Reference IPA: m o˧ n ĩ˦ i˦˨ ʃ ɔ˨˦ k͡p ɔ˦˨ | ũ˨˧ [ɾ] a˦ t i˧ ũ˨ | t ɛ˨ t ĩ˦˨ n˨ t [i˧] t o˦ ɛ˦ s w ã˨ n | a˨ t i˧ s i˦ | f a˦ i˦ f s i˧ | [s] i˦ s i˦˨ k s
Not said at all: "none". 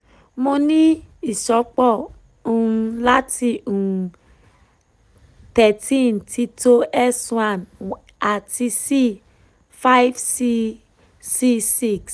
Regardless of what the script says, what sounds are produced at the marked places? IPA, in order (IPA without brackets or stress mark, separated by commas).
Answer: l, i˧, s